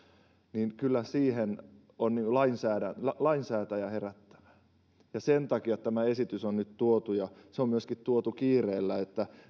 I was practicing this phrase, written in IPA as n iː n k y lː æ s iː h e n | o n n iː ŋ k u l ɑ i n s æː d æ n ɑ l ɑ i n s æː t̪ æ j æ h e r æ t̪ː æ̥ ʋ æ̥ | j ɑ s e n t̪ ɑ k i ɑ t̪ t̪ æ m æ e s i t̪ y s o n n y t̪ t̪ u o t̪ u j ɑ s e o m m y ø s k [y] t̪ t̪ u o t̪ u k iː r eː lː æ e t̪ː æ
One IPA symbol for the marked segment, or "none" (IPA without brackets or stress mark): i